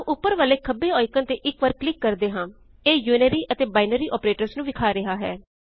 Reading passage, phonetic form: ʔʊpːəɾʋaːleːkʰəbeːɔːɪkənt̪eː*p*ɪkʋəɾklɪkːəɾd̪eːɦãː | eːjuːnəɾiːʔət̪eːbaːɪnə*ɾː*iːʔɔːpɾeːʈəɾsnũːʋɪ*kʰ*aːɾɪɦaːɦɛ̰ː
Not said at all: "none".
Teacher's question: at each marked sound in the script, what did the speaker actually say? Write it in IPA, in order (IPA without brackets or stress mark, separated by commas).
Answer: ʔ, ɾ, kʰ